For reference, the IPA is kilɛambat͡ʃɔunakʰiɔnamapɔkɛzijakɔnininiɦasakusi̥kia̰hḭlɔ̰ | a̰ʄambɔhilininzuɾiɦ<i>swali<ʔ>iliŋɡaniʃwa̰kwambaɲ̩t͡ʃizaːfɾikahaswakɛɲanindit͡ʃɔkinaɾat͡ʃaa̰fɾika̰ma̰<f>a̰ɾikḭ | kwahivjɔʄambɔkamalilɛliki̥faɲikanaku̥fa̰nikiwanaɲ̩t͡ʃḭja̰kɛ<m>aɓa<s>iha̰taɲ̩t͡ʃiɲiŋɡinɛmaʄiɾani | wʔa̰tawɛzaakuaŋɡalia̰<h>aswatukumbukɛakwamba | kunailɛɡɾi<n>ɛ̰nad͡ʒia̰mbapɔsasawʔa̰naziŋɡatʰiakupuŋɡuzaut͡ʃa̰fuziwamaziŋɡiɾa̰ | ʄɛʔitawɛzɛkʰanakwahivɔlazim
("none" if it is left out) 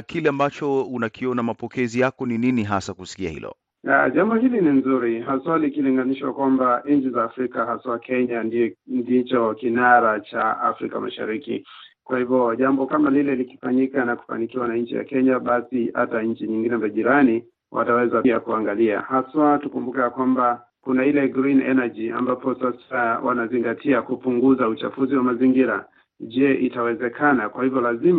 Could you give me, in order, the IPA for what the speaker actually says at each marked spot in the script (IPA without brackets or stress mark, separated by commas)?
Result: a, k, ʃ, ɲ, s, h, n